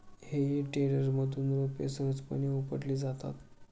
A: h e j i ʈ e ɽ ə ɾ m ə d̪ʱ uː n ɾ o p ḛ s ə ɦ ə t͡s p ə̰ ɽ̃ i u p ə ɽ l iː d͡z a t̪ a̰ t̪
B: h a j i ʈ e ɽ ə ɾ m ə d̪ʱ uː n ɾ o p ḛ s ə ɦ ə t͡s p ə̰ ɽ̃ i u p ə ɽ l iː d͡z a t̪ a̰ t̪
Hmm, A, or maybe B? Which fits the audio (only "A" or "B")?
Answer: A